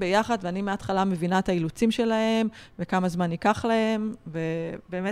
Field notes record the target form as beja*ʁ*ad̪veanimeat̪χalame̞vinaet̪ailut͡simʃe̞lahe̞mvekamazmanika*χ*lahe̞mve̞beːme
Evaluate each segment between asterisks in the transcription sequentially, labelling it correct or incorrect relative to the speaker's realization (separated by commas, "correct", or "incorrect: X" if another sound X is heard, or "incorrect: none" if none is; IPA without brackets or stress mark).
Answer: incorrect: χ, correct